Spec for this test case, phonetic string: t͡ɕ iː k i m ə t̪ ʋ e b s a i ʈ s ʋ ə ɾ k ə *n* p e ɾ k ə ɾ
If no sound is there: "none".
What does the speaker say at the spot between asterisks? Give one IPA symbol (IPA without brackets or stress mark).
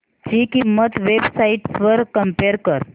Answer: m